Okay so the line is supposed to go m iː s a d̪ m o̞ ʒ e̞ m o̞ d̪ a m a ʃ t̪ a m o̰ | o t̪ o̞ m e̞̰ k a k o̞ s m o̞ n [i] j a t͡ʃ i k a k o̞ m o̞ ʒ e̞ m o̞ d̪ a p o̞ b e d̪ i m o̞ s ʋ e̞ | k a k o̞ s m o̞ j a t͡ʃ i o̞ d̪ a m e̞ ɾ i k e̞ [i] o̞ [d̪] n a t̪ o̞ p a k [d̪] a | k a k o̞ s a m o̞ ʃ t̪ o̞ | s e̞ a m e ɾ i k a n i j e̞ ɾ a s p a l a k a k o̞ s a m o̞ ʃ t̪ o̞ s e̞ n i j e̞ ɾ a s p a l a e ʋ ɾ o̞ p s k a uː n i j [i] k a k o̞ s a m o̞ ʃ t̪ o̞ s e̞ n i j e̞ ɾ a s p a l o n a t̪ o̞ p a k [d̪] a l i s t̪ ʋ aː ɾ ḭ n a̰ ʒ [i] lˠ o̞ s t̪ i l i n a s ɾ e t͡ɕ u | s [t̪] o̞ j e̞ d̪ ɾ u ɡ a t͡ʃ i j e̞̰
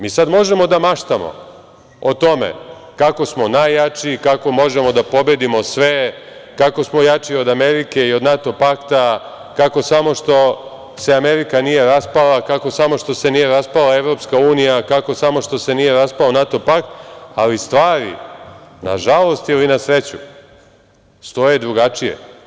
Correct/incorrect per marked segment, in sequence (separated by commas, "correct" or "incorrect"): incorrect, correct, correct, incorrect, incorrect, incorrect, incorrect, correct